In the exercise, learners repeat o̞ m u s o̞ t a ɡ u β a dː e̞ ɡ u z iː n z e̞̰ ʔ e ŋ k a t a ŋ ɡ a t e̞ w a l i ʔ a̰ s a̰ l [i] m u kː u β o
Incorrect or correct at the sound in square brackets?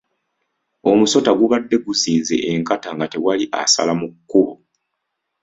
incorrect: a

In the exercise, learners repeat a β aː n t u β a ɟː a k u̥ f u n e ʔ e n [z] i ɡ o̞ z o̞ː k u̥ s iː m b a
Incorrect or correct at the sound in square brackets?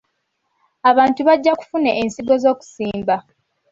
incorrect: s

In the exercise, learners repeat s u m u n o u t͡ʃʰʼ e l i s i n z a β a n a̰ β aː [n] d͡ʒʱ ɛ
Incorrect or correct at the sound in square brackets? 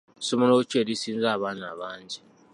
correct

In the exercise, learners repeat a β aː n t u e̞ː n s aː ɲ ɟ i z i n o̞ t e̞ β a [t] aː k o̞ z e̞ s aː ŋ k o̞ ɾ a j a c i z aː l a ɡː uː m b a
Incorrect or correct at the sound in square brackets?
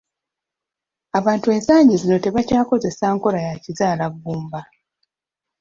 incorrect: c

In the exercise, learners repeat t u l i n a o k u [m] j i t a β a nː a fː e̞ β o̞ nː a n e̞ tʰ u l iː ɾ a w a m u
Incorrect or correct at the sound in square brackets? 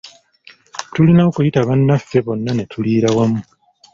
incorrect: none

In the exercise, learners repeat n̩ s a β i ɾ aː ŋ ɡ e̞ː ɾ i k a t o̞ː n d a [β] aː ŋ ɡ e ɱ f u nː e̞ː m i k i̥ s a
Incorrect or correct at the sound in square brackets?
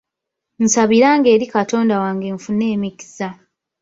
incorrect: w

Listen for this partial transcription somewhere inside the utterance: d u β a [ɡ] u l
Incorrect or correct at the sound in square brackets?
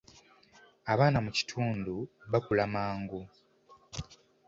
incorrect: k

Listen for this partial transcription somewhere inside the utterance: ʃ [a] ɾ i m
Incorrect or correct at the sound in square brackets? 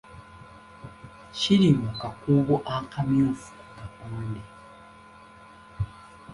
incorrect: i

